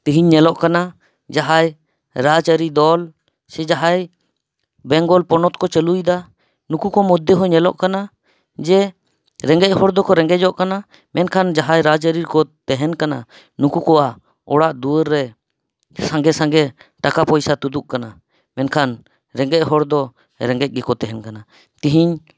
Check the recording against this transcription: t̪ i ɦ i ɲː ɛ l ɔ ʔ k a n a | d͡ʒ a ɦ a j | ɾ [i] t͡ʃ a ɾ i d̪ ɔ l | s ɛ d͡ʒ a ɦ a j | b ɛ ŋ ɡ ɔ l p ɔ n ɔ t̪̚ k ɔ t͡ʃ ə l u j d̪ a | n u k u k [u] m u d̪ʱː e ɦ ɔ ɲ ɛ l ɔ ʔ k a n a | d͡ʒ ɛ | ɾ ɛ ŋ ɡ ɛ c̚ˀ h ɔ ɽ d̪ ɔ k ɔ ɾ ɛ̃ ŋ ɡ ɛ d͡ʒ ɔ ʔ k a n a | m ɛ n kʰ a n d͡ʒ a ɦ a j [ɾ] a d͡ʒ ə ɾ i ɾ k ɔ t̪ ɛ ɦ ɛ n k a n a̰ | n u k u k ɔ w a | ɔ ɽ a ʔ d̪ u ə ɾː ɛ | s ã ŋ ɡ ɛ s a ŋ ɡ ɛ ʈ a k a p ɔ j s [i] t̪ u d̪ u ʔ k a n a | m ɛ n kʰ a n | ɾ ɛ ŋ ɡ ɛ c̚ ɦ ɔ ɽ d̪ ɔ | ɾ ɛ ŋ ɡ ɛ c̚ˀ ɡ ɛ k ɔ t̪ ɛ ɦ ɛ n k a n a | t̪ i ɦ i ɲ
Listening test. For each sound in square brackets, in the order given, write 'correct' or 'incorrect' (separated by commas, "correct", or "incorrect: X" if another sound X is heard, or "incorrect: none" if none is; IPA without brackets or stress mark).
incorrect: a, incorrect: ɔ, correct, incorrect: a